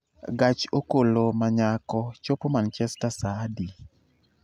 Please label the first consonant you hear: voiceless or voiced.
voiced